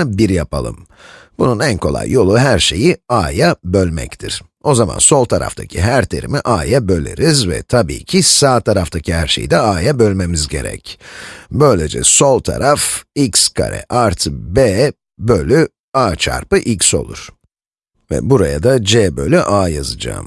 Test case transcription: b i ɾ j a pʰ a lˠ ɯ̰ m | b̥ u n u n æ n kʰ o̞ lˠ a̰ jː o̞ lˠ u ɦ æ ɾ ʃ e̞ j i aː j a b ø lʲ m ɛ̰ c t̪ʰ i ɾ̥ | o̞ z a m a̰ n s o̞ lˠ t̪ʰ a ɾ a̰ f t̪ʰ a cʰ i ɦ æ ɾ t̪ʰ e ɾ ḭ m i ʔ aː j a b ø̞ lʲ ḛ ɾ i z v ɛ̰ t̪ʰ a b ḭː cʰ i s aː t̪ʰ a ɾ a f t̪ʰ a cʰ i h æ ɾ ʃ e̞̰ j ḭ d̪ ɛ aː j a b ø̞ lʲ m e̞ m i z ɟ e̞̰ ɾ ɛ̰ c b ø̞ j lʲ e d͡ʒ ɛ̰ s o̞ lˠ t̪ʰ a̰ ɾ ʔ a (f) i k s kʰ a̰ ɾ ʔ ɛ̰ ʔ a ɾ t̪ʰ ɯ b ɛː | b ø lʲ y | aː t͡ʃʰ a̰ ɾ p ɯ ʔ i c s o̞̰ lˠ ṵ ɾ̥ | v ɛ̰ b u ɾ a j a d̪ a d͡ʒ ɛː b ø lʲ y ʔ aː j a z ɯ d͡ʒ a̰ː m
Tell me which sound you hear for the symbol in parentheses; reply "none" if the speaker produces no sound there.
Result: f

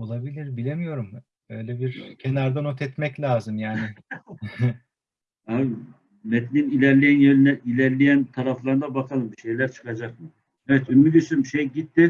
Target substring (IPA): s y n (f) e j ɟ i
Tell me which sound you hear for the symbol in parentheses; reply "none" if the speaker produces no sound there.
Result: ʃ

